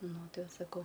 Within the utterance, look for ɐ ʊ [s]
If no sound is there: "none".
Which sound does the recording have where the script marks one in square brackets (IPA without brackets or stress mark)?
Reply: none